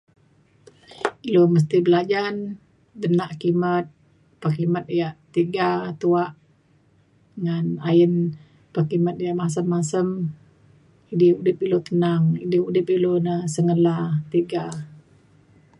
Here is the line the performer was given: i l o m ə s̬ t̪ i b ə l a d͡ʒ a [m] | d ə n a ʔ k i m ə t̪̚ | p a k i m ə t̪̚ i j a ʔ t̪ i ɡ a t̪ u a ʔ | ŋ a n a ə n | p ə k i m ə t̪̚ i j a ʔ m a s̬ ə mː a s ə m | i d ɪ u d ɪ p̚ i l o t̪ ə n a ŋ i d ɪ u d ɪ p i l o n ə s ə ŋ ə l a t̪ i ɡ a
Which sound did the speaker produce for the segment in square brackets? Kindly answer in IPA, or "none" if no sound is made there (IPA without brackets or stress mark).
n